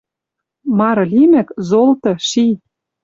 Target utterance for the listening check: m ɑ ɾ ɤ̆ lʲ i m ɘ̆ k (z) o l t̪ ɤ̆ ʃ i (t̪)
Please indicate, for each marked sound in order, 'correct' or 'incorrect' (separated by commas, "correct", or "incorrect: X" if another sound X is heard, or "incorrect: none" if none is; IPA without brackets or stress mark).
correct, incorrect: none